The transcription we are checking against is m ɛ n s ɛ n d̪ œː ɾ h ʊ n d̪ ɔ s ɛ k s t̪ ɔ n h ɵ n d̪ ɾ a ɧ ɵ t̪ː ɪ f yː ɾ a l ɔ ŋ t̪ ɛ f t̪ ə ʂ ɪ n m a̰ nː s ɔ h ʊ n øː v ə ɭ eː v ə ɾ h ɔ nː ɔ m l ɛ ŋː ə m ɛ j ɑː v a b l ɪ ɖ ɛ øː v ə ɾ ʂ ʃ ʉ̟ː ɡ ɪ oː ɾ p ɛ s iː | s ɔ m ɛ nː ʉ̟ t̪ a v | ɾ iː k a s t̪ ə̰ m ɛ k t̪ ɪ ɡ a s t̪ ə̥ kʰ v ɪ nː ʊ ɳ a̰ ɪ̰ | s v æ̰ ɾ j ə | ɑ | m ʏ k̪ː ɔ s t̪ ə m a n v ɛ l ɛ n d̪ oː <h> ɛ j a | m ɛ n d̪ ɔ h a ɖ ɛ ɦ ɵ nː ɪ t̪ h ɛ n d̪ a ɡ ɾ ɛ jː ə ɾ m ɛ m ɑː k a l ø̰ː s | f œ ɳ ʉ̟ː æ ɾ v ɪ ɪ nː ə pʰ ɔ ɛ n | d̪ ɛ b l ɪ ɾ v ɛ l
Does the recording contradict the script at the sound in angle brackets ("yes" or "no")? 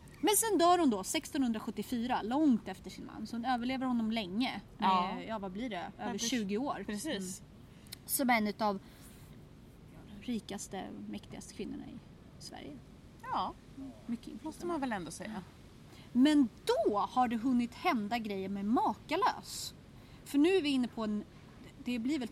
yes